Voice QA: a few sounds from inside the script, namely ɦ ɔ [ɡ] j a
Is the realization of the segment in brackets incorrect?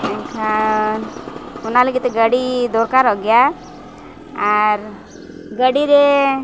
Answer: no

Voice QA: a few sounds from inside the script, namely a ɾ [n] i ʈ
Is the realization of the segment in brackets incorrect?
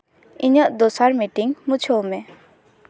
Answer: yes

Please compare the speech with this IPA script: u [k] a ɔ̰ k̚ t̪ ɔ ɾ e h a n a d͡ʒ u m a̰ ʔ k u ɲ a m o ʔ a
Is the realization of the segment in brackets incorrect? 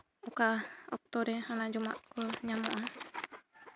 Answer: no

